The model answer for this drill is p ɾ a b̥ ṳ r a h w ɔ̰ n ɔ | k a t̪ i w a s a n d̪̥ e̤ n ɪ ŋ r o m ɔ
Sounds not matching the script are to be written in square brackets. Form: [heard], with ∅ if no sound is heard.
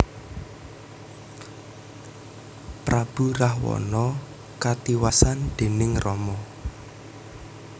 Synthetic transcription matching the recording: p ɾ a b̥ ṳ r a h w ɔ̰ n ɔ | k a t̪ i w a s a n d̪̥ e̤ n ɪ ŋ r [ɔ] m ɔ